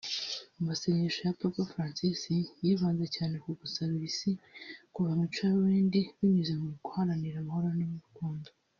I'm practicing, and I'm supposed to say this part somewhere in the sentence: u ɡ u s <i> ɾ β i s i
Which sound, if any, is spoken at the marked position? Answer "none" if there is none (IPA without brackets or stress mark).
a